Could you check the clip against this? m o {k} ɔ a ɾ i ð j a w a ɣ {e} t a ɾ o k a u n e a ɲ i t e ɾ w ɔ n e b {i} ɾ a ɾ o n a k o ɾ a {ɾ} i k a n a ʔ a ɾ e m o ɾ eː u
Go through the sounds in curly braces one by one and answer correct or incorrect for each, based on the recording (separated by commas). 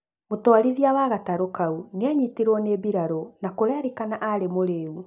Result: incorrect, incorrect, correct, correct